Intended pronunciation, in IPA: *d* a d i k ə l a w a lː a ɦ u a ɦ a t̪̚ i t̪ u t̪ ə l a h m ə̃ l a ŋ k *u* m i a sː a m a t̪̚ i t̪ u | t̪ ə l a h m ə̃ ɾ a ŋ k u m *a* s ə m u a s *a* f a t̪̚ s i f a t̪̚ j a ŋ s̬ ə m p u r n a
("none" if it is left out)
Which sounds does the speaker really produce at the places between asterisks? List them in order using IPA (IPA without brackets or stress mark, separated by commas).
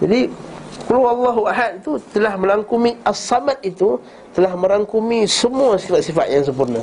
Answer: d͡ʒ, u, i, i